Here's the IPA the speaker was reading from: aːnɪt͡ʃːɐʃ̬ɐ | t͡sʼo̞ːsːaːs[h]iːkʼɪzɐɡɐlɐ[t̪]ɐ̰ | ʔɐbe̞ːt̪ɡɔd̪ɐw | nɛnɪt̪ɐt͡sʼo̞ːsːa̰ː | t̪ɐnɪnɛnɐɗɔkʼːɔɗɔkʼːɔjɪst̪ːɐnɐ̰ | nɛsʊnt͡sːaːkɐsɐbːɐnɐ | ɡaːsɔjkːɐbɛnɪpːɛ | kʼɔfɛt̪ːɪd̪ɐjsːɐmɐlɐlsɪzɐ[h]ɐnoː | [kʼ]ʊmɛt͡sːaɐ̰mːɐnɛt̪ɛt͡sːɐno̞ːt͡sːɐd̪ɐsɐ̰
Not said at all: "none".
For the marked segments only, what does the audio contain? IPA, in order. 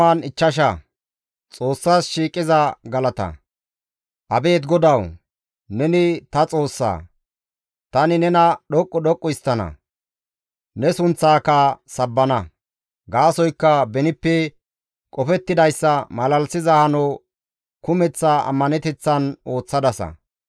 ʃ, t̪, h, k

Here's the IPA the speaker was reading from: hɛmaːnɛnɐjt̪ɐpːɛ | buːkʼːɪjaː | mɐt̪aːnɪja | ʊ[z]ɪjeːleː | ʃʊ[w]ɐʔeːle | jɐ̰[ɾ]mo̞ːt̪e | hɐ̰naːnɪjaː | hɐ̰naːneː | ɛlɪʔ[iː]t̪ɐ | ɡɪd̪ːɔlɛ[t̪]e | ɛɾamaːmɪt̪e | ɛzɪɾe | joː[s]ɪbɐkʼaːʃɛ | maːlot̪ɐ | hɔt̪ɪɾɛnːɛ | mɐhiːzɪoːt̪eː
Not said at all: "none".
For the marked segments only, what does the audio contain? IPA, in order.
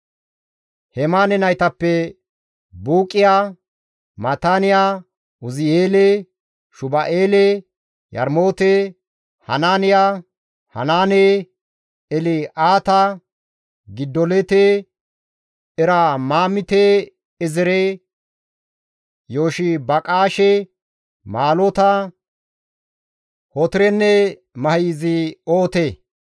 z, b, ɾ, aː, t̪, ʃ

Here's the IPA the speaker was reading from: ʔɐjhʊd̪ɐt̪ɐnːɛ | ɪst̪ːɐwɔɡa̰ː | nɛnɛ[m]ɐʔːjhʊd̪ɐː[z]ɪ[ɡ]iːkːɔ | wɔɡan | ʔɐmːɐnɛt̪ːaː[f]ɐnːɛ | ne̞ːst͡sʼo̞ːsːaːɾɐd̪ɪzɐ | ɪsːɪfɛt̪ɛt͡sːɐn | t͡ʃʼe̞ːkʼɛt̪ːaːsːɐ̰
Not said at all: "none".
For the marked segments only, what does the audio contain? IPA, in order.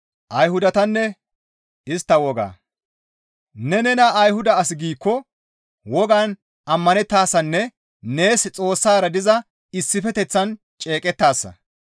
n, s, ɡ, s

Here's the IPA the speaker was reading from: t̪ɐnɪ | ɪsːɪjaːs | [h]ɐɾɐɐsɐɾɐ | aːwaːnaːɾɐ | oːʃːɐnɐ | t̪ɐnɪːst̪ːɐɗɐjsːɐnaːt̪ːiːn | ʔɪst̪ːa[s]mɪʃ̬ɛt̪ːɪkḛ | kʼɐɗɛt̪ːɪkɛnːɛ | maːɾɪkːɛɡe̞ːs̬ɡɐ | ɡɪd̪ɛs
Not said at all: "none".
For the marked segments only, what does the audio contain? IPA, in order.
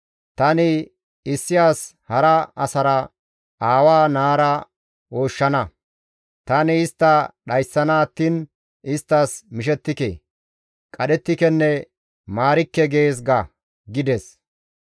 h, s

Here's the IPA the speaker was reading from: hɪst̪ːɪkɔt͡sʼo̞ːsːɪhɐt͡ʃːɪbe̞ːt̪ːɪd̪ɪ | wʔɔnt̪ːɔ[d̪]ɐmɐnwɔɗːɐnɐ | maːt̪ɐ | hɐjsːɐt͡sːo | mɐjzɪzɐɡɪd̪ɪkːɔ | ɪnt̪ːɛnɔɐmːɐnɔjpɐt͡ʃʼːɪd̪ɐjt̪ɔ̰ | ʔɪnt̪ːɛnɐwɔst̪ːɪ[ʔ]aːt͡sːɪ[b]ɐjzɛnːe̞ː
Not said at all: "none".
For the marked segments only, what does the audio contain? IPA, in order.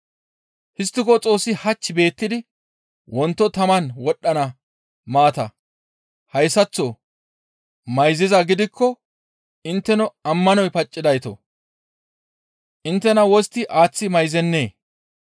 t̪, ʔ, m

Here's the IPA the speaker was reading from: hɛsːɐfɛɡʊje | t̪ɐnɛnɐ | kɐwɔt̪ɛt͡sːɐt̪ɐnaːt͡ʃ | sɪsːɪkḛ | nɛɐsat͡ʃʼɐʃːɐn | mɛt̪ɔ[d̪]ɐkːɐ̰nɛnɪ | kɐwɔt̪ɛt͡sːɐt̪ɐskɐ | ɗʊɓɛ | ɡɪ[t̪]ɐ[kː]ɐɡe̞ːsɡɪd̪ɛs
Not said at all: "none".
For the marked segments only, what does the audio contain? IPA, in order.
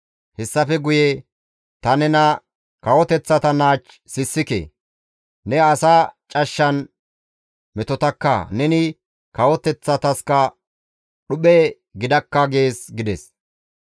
t̪, d̪, kː

